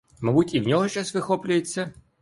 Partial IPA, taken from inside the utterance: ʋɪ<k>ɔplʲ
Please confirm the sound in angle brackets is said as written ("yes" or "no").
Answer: no